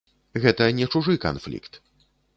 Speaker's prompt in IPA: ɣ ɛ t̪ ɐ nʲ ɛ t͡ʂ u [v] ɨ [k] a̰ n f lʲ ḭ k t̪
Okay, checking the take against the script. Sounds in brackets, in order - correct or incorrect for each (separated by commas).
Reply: incorrect, correct